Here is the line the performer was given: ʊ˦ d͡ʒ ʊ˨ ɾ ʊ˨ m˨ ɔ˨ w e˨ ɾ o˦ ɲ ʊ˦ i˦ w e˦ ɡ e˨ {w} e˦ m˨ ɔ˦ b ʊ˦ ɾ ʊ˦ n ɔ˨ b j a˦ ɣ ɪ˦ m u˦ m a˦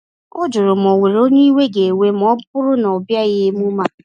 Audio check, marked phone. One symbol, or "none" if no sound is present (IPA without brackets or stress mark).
w